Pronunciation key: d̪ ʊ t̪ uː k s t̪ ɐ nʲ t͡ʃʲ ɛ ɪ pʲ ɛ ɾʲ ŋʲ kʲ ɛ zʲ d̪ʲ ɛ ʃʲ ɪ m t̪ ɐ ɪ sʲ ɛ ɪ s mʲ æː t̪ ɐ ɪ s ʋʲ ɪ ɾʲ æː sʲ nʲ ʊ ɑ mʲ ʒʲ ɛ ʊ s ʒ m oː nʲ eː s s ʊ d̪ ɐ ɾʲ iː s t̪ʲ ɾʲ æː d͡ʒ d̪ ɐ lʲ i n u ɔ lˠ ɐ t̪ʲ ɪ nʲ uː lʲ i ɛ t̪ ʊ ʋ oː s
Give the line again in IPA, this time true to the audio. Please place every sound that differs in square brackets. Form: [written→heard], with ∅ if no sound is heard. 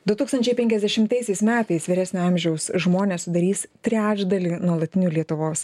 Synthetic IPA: d̪ ʊ t̪ uː k s t̪ ɐ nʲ t͡ʃʲ ɛ ɪ pʲ ɛ [ɾʲ→∅] ŋʲ kʲ ɛ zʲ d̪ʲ ɛ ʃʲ ɪ m t̪ ɐ ɪ sʲ ɛ ɪ s mʲ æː t̪ ɐ ɪ s ʋʲ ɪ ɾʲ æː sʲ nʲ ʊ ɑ mʲ ʒʲ ɛ ʊ s ʒ m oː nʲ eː s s ʊ d̪ ɐ ɾʲ iː s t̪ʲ ɾʲ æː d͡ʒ d̪ ɐ lʲ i n u ɔ lˠ ɐ t̪ʲ ɪ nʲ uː lʲ i ɛ t̪ ʊ ʋ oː s